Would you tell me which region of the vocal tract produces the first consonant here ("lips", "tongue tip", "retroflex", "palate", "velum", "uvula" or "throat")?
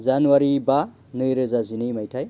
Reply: tongue tip